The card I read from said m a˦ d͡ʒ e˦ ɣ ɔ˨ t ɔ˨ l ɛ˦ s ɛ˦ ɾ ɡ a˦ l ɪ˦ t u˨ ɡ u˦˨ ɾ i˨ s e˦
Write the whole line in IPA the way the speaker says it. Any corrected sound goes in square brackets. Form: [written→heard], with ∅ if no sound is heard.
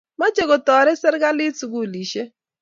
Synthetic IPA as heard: m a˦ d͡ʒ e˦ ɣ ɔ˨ t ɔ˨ [l→ɾ] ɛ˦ s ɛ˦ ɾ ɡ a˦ l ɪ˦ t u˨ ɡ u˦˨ [ɾ→l] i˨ [s→ʃ] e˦